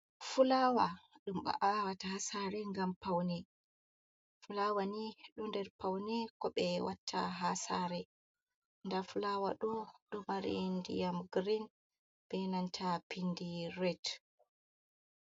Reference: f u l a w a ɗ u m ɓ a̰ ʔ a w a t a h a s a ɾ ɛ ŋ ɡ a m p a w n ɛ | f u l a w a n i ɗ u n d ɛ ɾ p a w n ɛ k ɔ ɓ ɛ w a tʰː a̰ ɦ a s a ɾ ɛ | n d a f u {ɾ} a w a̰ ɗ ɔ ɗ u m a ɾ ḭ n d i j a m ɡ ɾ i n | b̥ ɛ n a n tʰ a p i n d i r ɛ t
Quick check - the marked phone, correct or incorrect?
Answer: incorrect